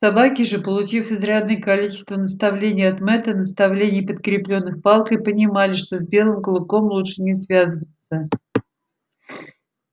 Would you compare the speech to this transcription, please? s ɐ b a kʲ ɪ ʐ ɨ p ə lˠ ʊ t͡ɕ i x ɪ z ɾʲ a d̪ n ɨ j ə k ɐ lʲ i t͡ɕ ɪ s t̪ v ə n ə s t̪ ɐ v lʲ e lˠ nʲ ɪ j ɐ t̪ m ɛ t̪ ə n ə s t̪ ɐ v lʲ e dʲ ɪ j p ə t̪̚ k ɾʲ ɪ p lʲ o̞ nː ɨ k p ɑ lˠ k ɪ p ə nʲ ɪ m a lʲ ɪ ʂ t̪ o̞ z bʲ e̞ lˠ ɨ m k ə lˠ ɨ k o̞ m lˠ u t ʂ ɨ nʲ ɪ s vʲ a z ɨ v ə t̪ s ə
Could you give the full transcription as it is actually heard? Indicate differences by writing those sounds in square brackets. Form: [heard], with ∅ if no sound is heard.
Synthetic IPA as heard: s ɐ b a kʲ ɪ ʐ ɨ p ə lˠ ʊ t͡ɕ i [f] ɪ z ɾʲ a d̪ n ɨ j ə k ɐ lʲ i t͡ɕ ɪ s t̪ v ə n ə s t̪ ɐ v lʲ e [∅] nʲ ɪ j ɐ t̪ m ɛ t̪ ə n ə s t̪ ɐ v lʲ e [nʲ] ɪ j p ə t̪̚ k ɾʲ ɪ p lʲ o̞ nː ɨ [x] p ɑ lˠ k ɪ p ə nʲ ɪ m a lʲ ɪ ʂ t̪ o̞ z bʲ e̞ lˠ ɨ m k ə lˠ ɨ k o̞ m lˠ u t ʂ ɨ nʲ ɪ s vʲ a z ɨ v ə t̪ s ə